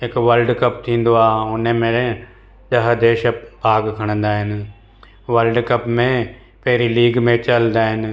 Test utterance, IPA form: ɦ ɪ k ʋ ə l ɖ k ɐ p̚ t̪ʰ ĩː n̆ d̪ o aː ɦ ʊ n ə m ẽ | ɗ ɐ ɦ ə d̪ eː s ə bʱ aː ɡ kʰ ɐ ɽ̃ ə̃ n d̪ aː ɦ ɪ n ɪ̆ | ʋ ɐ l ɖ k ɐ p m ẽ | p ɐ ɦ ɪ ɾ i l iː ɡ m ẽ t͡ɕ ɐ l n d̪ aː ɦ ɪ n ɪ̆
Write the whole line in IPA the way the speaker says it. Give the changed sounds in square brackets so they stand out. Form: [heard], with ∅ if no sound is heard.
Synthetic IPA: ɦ ɪ k ʋ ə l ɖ k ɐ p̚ t̪ʰ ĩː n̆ d̪ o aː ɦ ʊ n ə m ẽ | ɗ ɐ ɦ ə d̪ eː [ʃ] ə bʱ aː ɡ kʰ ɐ ɽ̃ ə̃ n d̪ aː ɦ ɪ n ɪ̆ | ʋ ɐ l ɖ k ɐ p m ẽ | p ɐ ɦ ɪ ɾ i l iː ɡ m ẽ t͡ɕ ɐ l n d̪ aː ɦ ɪ n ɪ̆